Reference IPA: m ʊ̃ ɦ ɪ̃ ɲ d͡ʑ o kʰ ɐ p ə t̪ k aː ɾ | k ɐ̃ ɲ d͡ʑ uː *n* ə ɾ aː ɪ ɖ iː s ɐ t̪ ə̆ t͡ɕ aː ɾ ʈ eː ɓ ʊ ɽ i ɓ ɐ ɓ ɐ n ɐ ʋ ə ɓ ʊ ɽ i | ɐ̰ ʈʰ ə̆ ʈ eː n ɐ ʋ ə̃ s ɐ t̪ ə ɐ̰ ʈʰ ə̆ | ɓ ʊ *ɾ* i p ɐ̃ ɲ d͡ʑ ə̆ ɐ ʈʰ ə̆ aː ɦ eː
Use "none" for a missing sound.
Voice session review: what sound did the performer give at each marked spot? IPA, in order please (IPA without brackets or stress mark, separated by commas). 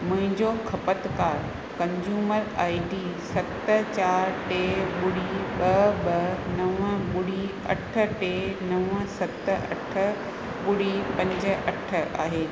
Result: m, ɽ